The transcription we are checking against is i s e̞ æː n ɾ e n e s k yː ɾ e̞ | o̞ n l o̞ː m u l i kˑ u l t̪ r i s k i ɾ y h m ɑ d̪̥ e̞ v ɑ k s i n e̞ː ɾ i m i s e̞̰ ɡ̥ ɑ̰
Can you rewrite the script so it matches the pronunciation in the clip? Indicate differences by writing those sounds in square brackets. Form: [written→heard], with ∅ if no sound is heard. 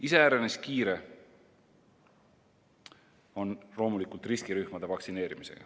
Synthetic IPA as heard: i s e̞ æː [n→∅] ɾ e n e s k [yː→iː] ɾ e̞ | o̞ n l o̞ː m u l i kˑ u l t̪ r i s k i ɾ y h m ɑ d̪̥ e̞ v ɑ k s i n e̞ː ɾ i m i s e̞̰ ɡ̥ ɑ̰